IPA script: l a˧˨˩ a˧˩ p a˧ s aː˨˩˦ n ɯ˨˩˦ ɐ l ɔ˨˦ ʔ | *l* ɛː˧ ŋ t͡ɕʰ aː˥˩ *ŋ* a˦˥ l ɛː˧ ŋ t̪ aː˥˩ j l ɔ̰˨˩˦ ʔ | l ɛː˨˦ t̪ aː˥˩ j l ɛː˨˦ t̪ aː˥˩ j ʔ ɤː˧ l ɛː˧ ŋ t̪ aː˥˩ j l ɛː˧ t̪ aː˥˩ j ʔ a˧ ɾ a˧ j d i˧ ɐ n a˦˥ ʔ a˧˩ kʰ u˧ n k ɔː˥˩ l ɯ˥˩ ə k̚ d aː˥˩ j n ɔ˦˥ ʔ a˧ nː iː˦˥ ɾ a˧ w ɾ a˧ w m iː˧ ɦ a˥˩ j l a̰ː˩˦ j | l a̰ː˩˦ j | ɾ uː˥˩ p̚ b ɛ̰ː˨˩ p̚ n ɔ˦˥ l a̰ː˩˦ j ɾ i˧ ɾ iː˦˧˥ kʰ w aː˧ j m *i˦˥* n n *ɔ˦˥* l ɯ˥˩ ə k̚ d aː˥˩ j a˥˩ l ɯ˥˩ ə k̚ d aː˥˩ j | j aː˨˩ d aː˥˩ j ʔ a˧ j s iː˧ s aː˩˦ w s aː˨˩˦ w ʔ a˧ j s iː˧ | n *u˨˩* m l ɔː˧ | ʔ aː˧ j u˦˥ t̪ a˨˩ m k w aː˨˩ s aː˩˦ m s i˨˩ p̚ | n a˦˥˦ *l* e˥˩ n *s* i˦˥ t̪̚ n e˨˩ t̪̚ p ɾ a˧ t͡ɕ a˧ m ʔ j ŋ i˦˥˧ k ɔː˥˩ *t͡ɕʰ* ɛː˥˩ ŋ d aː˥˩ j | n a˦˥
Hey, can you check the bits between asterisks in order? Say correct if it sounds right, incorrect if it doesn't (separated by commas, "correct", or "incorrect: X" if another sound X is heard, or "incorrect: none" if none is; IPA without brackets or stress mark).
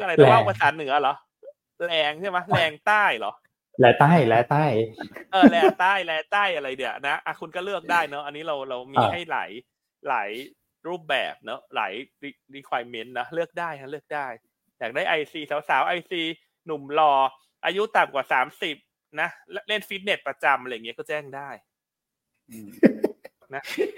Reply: correct, incorrect: m, incorrect: e˦˥, correct, correct, correct, incorrect: f, incorrect: t͡ɕ